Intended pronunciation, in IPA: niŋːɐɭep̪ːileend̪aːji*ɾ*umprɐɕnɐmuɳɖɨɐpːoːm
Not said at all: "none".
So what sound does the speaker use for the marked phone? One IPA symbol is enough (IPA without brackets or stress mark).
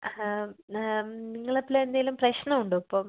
l